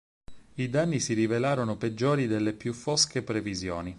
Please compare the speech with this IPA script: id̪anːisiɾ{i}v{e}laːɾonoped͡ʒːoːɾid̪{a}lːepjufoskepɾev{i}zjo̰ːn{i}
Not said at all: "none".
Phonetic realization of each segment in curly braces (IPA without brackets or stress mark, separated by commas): i, e, e, i, i